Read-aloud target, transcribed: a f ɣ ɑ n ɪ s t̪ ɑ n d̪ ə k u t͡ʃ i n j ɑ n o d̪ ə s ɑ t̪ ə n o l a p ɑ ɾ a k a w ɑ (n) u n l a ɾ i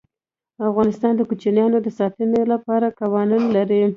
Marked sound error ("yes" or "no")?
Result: no